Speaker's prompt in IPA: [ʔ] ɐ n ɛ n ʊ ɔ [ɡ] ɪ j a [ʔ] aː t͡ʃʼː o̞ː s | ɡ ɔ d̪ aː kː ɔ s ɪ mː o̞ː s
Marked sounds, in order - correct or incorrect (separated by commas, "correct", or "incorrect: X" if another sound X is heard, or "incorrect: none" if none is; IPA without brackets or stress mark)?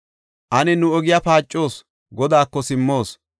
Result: correct, correct, incorrect: p